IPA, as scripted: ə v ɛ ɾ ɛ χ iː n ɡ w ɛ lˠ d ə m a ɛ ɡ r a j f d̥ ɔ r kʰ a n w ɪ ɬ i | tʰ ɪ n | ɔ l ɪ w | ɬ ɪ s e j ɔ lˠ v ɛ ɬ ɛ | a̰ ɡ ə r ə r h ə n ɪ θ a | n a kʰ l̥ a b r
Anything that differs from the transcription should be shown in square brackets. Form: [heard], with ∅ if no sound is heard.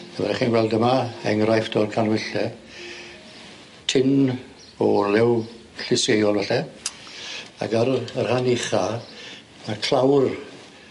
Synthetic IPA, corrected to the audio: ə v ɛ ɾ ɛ χ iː n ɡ w ɛ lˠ d ə m a ɛ [ŋ] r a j f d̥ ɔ r kʰ a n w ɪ ɬ [ɛ] | tʰ ɪ n | ɔ l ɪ w | ɬ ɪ s e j ɔ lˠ v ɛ ɬ ɛ | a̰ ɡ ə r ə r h [a] n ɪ [χ] a | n a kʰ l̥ a [w] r